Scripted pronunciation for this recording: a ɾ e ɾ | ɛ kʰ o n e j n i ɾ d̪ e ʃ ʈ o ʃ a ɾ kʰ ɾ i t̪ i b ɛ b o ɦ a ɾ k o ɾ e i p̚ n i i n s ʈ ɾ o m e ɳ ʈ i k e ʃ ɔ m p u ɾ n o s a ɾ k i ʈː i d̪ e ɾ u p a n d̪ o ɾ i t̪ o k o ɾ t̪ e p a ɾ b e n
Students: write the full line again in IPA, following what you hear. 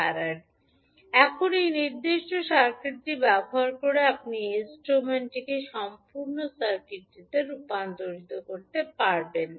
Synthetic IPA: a ɾ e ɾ | ɛ kʰ o n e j n i ɾ d̪ e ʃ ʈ o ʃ a ɾ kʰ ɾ i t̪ i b ɛ b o ɦ a ɾ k o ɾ e a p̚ n i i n s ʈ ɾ o m e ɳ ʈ i k e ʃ ɔ m p u ɾ n o s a ɾ k i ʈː i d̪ e ɾ u p a n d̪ o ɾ i t̪ o k o ɾ t̪ e p a ɾ b e n